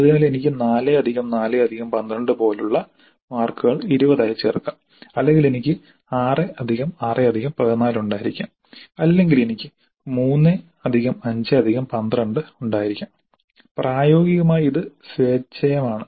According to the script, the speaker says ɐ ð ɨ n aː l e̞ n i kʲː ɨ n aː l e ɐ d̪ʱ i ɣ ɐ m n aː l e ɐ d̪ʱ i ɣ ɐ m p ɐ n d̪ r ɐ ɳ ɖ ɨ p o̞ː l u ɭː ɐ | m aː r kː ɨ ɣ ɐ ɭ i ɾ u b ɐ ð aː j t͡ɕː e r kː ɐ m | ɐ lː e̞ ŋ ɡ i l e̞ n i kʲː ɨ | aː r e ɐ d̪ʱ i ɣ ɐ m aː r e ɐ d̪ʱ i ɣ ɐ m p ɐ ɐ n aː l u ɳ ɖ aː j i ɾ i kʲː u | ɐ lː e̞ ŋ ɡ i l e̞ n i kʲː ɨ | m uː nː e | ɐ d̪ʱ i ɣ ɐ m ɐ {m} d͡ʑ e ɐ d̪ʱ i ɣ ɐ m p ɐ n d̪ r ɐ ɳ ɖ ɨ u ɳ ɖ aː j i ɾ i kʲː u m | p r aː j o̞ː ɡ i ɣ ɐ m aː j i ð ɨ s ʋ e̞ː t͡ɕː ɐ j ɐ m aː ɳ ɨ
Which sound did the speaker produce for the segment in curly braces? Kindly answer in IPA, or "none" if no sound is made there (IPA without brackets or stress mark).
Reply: ɲ